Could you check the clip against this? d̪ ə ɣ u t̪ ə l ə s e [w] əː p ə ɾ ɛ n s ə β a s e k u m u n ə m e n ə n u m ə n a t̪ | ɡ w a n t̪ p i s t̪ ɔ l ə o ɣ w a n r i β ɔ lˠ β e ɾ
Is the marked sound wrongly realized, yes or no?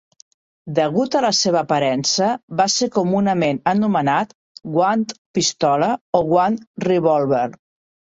yes